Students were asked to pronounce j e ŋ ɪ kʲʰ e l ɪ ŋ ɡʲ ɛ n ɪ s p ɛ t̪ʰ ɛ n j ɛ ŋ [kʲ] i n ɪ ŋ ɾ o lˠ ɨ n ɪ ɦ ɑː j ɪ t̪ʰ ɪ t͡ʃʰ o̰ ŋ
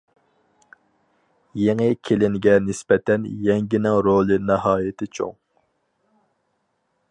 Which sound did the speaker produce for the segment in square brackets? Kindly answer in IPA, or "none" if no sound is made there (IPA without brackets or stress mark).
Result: ɡʲ